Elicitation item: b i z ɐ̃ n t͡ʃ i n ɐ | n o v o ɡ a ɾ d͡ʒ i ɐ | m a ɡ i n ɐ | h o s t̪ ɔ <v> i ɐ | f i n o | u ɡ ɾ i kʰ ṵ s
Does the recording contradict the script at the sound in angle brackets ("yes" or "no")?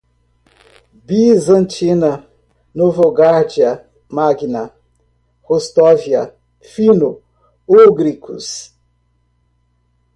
no